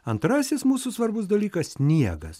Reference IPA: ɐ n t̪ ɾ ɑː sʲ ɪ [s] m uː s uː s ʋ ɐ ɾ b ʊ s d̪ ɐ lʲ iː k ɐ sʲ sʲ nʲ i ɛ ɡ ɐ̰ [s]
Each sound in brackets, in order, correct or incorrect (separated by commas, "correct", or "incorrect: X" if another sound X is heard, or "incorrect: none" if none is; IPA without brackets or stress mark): correct, correct